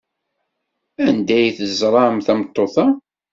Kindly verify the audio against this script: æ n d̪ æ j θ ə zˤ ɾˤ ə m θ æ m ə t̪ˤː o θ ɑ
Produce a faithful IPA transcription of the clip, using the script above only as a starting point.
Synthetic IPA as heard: æ n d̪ æ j θ ə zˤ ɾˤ ɑ m θ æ m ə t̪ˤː o θ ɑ